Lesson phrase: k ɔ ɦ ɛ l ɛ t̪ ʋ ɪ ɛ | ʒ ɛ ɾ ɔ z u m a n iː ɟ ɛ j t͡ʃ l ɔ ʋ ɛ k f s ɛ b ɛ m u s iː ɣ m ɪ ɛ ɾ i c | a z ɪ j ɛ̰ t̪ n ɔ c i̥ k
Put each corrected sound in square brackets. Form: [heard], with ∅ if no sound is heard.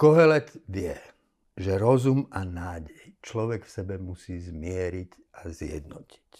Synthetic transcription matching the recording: k ɔ ɦ ɛ l ɛ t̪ ʋ ɪ ɛ | ʒ ɛ ɾ ɔ z u m a n [aː] ɟ ɛ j t͡ʃ l ɔ ʋ ɛ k f s ɛ b ɛ m u s iː [z] m ɪ ɛ ɾ i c | a z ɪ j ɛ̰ [d̪] n ɔ c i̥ [c]